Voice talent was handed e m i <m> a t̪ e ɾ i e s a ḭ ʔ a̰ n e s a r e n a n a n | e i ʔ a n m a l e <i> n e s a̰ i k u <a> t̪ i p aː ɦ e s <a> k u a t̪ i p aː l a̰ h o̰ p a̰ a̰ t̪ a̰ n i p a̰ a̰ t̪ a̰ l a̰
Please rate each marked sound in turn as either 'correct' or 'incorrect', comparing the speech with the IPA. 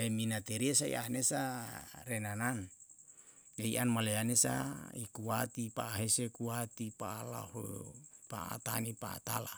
incorrect: n, incorrect: a, correct, incorrect: e

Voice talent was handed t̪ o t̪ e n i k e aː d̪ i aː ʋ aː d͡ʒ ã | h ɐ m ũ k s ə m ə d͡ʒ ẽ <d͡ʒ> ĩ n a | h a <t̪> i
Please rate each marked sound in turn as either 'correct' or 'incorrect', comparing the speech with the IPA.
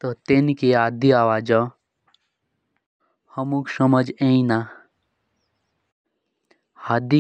incorrect: none, incorrect: d̪

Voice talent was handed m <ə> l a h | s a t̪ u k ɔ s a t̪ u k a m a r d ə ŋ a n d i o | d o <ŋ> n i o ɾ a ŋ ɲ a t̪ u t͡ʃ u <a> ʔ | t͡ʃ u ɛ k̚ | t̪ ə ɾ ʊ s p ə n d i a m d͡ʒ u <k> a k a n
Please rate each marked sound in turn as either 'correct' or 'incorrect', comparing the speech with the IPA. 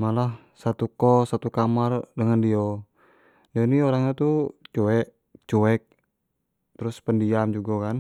incorrect: a, incorrect: none, incorrect: ɛ, incorrect: ɡ

